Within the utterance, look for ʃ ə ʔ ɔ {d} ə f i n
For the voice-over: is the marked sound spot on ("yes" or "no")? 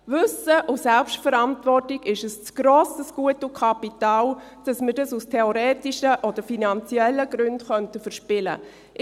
yes